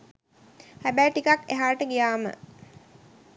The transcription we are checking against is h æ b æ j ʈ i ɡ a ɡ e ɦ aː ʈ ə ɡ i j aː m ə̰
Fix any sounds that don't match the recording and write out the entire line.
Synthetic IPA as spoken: h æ b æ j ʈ i k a k e ɦ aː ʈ ə ɡ i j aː m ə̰